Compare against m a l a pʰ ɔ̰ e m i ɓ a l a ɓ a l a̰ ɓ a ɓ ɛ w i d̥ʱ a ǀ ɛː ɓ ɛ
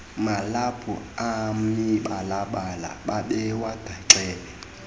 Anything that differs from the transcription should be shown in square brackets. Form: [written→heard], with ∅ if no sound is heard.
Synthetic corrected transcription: m a l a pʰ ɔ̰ [e→a] m i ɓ a l a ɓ a l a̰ ɓ a ɓ ɛ w [i→a] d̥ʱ a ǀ ɛː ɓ ɛ